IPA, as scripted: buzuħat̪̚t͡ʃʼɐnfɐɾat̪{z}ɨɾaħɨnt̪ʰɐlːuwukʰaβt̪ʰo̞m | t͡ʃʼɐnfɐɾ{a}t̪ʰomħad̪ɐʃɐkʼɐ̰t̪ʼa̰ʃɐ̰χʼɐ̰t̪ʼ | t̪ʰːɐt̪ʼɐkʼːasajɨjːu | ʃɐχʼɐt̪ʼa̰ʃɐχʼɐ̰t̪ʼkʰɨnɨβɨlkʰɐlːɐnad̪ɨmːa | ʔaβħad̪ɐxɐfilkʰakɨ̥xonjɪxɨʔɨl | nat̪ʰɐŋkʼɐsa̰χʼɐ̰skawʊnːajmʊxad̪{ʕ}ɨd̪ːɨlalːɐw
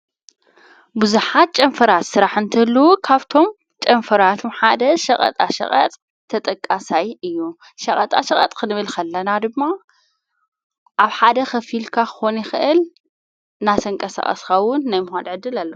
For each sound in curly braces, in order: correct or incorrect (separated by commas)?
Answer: incorrect, correct, correct